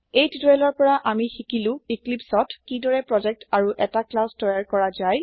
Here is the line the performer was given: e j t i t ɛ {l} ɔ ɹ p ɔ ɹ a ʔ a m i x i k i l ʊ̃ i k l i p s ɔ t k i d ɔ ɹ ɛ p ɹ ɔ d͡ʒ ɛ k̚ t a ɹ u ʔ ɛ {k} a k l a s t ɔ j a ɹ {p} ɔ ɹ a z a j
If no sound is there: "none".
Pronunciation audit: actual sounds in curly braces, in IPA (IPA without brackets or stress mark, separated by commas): l, t, k